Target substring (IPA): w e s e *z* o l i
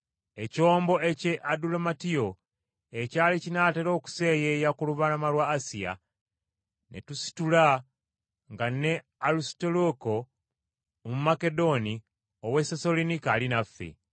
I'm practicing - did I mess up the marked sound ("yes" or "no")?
yes